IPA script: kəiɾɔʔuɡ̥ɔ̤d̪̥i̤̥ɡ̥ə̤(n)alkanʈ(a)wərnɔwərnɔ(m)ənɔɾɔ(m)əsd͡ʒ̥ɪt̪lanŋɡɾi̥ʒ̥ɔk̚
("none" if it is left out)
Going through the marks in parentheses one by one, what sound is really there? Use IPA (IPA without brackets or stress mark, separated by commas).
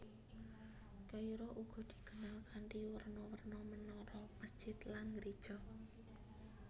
n, i, m, m